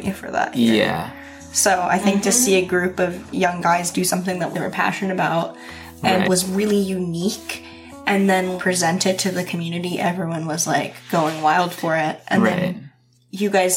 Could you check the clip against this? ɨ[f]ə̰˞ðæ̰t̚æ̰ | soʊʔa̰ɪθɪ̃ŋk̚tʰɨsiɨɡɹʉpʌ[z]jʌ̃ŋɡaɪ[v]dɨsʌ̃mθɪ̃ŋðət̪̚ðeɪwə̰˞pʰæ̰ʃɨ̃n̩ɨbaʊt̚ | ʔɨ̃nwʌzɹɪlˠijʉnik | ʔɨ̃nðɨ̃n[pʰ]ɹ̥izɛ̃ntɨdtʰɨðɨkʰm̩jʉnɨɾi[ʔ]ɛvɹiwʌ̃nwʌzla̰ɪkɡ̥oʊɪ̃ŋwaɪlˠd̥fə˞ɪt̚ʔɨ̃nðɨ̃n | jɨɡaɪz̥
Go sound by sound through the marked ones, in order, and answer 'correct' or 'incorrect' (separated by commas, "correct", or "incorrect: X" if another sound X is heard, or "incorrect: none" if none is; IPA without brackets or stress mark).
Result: correct, incorrect: v, incorrect: z, correct, correct